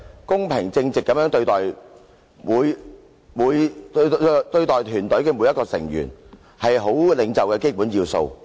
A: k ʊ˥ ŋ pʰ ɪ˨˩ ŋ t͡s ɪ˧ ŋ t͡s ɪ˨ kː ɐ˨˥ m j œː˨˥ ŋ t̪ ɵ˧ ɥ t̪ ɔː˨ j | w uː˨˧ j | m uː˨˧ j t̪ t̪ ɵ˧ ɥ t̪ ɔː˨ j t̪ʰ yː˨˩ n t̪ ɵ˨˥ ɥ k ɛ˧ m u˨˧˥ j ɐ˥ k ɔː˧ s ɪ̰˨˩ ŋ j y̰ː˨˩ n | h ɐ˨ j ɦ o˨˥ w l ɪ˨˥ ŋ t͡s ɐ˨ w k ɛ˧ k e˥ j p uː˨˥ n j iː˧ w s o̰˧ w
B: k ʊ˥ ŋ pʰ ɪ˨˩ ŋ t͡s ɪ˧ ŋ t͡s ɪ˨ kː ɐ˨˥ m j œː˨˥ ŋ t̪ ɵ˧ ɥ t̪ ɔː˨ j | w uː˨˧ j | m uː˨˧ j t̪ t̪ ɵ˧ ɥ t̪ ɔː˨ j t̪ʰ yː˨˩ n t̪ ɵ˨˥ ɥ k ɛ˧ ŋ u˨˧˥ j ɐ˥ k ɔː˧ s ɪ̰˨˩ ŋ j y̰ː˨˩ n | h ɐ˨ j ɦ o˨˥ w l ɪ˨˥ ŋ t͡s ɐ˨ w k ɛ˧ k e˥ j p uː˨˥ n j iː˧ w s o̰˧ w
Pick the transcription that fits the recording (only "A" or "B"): A